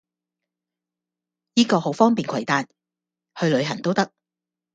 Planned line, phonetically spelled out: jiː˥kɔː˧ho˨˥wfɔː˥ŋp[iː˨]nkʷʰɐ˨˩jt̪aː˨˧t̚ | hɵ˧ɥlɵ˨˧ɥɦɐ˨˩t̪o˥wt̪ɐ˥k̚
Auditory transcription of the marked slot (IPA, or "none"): iː˨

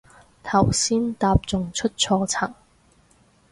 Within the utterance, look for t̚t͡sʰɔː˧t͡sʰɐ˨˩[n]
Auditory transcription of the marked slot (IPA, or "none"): ŋ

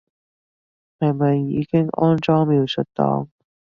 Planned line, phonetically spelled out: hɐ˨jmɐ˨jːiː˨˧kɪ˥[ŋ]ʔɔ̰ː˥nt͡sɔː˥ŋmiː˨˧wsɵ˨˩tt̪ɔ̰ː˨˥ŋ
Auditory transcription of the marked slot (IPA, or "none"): ŋ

